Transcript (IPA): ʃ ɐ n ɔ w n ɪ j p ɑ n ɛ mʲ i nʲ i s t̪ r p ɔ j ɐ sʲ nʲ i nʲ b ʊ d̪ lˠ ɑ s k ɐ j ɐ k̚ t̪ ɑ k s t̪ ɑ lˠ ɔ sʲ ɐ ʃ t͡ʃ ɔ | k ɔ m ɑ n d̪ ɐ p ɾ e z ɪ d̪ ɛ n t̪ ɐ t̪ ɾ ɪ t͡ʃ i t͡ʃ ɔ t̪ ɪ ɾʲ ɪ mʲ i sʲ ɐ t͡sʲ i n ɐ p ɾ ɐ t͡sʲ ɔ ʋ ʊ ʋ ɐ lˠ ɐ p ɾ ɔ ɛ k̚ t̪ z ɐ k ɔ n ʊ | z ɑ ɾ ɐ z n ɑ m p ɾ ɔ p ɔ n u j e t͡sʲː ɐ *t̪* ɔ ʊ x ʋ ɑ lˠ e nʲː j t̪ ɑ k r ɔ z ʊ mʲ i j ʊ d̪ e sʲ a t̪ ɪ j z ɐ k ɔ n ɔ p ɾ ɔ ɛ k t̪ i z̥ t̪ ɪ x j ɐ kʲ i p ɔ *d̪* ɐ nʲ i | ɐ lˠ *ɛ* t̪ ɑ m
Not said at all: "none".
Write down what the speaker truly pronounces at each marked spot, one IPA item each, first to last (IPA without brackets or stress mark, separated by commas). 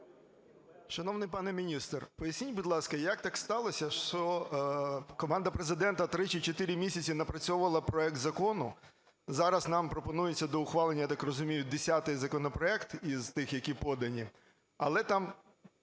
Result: d̪, d̪, ɛ